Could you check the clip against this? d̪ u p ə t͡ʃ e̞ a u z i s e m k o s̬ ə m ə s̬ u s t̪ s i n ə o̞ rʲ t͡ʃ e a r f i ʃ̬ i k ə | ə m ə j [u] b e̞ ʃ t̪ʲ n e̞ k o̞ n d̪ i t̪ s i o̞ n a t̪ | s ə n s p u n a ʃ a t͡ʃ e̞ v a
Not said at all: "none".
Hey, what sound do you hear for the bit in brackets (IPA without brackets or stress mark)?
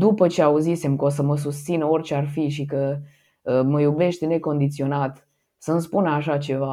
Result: u